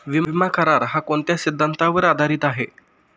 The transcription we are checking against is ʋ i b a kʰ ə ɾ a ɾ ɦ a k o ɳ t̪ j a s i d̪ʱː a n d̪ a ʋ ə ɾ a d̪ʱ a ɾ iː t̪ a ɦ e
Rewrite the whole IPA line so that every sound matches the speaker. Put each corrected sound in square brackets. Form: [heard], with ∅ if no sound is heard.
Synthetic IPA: ʋ i [m] a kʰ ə ɾ a ɾ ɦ a k o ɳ t̪ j a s i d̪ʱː a n [t̪] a ʋ ə ɾ a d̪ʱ a ɾ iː t̪ a ɦ e